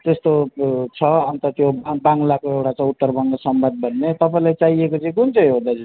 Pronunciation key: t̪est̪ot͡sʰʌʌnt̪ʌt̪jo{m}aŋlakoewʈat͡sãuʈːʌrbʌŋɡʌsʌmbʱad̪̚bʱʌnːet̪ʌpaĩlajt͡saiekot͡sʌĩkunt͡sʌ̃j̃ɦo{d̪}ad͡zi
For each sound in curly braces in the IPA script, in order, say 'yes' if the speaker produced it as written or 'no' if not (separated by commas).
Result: no, yes